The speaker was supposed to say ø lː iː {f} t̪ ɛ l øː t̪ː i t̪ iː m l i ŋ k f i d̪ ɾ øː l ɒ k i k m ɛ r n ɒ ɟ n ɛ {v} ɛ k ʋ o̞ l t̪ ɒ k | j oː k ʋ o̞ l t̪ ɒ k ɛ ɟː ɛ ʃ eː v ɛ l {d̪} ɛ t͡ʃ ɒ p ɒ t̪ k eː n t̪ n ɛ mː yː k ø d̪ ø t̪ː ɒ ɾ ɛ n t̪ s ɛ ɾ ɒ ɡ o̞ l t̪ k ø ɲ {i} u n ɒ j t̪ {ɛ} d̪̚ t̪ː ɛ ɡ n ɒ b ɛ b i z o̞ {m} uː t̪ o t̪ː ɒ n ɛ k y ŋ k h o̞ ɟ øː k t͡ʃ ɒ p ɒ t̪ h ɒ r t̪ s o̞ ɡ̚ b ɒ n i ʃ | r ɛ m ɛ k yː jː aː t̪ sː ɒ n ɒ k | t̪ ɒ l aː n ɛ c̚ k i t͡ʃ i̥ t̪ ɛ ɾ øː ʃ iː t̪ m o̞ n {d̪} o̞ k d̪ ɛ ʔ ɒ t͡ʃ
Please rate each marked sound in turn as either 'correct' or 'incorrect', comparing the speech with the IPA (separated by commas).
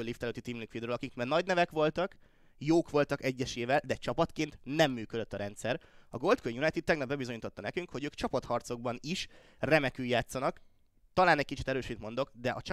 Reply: correct, correct, correct, incorrect, incorrect, incorrect, correct